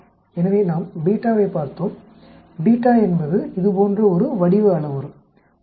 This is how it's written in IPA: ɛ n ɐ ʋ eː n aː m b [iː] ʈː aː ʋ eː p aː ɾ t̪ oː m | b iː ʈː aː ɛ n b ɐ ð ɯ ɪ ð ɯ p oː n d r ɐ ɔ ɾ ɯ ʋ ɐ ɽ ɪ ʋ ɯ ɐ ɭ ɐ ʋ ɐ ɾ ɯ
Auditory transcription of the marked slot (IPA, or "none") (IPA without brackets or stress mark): iː